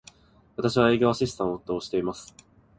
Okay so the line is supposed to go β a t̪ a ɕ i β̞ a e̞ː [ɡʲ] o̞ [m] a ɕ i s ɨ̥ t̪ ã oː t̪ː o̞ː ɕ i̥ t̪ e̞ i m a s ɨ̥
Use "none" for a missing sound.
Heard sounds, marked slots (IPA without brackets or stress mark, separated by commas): ɡʲ, none